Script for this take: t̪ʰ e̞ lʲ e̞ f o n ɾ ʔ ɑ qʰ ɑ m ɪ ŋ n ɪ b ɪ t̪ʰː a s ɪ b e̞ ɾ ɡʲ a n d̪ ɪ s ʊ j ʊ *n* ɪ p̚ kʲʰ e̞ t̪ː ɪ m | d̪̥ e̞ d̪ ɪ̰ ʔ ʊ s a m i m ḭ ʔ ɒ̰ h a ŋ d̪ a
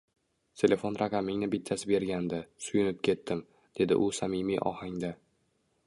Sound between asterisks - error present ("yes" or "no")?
no